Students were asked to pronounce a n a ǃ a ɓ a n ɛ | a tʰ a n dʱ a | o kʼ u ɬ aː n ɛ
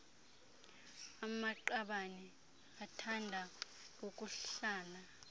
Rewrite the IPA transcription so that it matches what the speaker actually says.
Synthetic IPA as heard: a m a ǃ a ɓ a n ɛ | a tʰ a n dʱ a | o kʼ u ɬ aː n a